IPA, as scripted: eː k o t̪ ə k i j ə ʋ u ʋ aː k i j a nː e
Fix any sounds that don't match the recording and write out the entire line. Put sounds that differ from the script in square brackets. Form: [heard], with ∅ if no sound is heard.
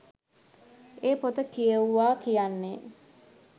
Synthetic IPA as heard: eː [p] o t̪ ə k i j ə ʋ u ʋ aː k i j a nː e